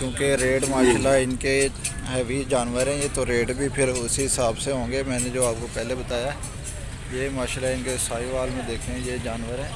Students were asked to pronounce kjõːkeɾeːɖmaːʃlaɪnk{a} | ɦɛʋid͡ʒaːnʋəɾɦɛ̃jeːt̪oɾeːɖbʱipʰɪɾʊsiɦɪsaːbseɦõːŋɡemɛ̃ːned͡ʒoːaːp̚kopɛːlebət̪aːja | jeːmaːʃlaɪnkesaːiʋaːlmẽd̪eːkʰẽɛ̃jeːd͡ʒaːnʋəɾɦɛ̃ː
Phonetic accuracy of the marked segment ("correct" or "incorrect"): incorrect